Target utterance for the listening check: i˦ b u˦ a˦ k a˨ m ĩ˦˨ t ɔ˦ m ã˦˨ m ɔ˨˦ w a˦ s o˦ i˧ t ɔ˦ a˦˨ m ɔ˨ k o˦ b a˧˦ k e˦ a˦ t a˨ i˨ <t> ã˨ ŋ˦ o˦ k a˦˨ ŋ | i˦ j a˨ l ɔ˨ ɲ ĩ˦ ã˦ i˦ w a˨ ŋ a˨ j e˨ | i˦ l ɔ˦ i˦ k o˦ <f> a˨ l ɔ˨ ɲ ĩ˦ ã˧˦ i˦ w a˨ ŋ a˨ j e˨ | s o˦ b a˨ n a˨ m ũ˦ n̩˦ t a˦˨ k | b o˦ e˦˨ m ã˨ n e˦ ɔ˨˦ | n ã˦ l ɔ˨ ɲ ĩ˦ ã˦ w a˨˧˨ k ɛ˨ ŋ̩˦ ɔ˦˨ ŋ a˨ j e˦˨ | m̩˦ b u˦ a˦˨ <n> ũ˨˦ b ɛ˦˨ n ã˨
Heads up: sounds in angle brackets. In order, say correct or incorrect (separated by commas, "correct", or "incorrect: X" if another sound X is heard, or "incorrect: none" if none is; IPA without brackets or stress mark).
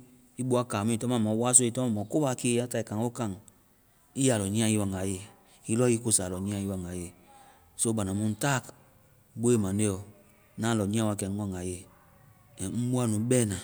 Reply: incorrect: k, incorrect: s, correct